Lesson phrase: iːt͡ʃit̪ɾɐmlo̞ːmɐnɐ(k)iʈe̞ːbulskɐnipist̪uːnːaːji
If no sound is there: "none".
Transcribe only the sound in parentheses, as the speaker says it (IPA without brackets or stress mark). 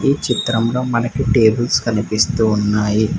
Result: k